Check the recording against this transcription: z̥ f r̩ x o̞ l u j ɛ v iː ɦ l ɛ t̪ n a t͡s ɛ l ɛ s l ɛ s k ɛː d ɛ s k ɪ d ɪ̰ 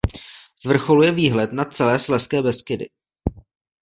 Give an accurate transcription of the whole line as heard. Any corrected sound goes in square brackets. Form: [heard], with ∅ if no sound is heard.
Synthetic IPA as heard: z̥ [v] r̩ x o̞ l u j ɛ v iː ɦ l ɛ t̪ n a t͡s ɛ l [ɛː] s l ɛ s k ɛː [b] ɛ s k ɪ d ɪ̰